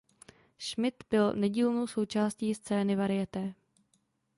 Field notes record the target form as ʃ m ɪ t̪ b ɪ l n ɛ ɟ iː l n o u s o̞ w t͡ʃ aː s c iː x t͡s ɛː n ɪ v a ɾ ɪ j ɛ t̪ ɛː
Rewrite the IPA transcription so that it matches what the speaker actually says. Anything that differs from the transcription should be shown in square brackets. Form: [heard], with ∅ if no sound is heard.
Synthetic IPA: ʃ m ɪ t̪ b ɪ l n ɛ ɟ iː l n o [w] s o̞ w t͡ʃ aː s c iː [s] t͡s ɛː n ɪ v a ɾ ɪ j ɛ t̪ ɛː